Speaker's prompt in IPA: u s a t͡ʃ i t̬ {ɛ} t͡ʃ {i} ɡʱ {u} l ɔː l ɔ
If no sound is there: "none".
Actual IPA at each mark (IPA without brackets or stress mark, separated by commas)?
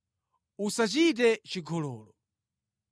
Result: ɛ, i, ɔ